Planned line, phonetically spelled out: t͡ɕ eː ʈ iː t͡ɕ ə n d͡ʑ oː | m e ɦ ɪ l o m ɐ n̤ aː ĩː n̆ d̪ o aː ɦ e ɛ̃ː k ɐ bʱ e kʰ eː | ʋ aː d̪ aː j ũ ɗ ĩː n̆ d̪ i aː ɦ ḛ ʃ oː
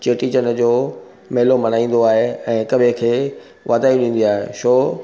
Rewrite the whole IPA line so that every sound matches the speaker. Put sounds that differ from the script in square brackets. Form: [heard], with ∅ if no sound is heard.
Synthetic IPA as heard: t͡ɕ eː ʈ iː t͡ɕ ə n d͡ʑ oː | m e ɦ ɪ l o m ɐ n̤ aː ĩː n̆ d̪ o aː ɦ e ɛ̃ː k ɐ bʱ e kʰ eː | ʋ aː d̪ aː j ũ ɗ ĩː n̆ d̪ i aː ɦ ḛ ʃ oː